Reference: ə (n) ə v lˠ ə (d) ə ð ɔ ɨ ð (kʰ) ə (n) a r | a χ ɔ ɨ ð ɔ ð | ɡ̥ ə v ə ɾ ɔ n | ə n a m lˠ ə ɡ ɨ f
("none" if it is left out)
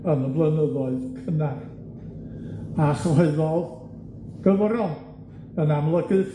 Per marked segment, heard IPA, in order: n, n, kʰ, n

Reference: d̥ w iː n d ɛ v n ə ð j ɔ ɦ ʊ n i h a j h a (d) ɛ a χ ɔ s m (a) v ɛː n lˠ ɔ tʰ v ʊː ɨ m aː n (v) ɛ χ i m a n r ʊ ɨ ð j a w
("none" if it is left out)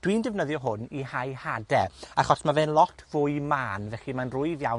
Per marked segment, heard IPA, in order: d, a, v

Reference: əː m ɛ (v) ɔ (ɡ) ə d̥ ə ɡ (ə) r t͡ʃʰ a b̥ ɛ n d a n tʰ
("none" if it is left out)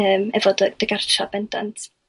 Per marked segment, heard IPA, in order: v, d, a

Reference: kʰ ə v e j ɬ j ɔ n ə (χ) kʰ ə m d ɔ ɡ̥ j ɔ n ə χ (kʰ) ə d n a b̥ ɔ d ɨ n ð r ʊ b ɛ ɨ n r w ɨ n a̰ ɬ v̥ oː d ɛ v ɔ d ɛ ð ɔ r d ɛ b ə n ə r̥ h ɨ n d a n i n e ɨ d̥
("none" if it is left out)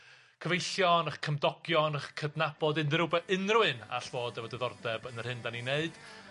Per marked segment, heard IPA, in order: χ, kʰ

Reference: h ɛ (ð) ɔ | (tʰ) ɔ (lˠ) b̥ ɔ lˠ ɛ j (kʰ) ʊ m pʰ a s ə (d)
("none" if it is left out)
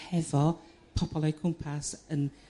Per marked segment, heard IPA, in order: v, pʰ, none, kʰ, n

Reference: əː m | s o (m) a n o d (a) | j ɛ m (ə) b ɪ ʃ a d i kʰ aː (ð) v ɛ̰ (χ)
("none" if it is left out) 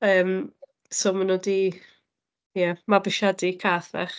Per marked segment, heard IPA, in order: m, i, a, θ, χ

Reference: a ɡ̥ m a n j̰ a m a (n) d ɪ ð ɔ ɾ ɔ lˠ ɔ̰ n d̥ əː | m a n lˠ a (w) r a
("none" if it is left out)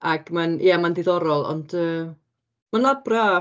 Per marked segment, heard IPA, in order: n, b

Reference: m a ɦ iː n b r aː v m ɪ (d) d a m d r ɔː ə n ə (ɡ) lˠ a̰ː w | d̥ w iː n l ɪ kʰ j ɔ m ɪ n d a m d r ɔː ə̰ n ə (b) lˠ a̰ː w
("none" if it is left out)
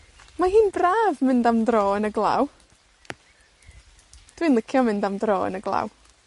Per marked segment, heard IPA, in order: n, ɡ, ɡ

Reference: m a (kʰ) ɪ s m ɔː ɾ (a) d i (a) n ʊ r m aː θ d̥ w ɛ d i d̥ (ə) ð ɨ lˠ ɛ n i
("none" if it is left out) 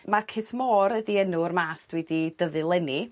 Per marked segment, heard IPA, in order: kʰ, ə, ɛ, ə

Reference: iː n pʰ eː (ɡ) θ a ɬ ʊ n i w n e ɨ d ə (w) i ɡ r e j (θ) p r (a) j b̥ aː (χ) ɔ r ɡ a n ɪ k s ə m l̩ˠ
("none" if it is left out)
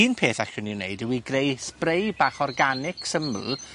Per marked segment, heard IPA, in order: none, w, s, e, χ

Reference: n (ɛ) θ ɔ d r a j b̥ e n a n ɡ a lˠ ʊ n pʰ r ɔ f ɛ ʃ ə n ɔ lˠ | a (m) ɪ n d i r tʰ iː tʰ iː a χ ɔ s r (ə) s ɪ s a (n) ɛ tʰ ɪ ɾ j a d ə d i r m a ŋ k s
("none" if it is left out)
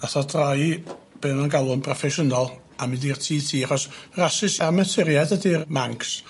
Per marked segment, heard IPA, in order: a, m, a, m

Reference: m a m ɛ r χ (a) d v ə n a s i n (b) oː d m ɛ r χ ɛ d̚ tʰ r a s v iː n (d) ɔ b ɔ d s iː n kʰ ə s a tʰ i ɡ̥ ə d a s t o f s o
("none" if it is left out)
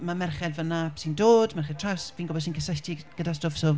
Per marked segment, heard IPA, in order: ɛ, d, ɡ

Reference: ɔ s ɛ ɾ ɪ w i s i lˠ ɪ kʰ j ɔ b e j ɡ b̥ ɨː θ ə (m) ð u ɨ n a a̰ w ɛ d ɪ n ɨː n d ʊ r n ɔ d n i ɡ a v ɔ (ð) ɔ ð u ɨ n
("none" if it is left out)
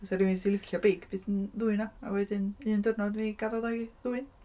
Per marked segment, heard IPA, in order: n, ð

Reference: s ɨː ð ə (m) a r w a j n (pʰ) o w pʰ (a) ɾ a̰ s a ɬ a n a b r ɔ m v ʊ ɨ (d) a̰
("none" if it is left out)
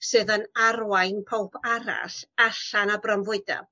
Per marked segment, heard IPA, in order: n, pʰ, a, d

